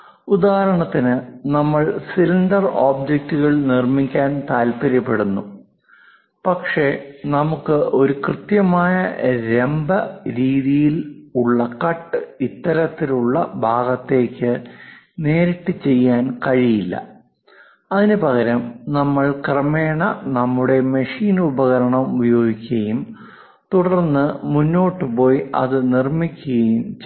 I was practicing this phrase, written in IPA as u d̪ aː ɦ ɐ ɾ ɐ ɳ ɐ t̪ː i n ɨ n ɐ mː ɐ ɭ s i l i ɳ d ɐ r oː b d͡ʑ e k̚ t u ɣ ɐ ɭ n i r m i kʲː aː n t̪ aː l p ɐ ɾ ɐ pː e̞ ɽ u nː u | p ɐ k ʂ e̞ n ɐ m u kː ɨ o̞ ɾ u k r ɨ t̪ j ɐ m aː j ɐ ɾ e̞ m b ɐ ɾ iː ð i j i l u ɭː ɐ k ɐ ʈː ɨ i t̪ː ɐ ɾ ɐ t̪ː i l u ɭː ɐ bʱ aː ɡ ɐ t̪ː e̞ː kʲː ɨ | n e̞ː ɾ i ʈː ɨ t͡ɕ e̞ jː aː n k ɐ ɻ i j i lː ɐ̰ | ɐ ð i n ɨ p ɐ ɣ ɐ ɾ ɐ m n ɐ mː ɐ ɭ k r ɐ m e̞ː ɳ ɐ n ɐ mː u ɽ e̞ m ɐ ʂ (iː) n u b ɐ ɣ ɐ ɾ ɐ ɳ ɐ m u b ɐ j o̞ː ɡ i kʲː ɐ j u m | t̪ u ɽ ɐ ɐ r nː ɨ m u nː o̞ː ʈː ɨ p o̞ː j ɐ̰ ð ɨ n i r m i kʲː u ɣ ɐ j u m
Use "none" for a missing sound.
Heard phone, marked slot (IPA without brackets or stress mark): iː